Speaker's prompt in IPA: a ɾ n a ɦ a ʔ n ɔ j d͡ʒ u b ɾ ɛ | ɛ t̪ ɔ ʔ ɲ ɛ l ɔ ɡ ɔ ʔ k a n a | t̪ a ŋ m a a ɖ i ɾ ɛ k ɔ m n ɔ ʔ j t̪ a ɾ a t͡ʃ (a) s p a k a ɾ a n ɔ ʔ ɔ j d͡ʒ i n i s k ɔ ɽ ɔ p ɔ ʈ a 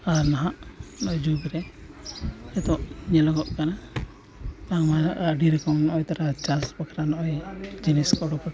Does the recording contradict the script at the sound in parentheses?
no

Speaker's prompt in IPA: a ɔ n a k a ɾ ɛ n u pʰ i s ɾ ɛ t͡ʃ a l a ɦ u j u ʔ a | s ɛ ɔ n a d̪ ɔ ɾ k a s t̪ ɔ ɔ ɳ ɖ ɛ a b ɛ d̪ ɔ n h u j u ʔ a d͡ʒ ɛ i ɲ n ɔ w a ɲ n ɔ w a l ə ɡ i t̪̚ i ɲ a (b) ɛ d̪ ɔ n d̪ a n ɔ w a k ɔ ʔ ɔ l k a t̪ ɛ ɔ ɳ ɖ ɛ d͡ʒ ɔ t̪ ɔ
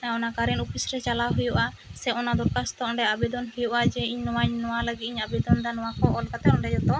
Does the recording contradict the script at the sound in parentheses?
no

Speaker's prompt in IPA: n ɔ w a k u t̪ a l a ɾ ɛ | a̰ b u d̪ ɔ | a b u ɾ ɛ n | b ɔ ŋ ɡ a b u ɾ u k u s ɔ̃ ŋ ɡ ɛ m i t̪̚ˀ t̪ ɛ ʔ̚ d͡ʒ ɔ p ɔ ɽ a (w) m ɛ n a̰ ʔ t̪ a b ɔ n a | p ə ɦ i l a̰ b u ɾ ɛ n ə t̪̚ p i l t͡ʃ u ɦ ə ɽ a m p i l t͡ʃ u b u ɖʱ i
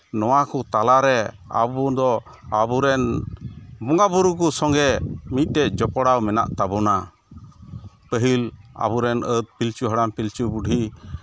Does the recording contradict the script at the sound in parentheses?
no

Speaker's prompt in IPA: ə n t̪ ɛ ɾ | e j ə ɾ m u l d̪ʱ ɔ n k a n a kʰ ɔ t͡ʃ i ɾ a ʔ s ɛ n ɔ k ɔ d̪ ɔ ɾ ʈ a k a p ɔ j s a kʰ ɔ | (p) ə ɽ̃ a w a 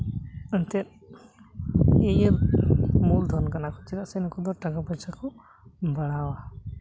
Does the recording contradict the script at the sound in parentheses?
yes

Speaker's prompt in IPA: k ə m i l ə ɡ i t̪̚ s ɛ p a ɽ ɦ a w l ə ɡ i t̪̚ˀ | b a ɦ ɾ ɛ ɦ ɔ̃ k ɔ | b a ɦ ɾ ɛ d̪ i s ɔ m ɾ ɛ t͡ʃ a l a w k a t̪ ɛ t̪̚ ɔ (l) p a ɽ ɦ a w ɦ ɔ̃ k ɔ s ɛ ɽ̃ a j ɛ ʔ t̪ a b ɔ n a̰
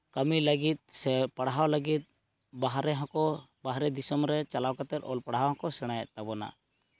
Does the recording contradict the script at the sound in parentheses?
no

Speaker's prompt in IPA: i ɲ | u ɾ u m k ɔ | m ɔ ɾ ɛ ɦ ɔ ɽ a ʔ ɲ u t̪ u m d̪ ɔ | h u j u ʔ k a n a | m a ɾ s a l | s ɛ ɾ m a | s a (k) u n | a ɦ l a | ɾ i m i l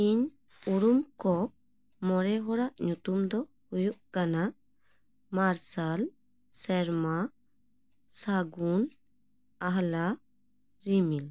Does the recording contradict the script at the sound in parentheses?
yes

